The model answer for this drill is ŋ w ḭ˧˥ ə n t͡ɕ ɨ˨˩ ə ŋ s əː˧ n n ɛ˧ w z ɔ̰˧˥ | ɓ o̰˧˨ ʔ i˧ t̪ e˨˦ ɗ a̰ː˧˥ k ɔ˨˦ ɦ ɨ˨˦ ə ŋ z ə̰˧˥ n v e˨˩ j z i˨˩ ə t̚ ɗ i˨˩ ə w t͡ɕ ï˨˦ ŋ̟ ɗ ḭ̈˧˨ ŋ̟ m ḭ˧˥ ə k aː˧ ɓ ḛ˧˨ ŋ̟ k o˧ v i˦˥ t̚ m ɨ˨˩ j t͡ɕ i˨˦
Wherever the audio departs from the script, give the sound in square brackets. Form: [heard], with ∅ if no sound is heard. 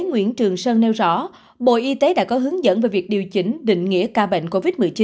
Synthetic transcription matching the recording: ŋ w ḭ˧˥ ə n t͡ɕ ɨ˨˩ ə ŋ s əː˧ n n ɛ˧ w z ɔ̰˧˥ | ɓ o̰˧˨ ʔ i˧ t̪ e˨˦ ɗ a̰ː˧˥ k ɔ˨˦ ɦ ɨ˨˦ ə ŋ z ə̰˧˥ n v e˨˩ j [v] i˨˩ ə [k̚] ɗ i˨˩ ə w t͡ɕ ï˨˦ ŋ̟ ɗ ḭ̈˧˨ ŋ̟ [ŋ] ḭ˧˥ ə k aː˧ ɓ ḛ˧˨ ŋ̟ k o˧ v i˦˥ t̚ m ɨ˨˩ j t͡ɕ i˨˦